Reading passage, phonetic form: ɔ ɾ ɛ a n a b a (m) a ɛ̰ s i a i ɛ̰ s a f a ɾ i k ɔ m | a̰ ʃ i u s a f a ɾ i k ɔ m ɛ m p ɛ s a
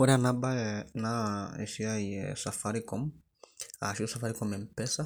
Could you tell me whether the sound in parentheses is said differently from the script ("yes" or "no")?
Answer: yes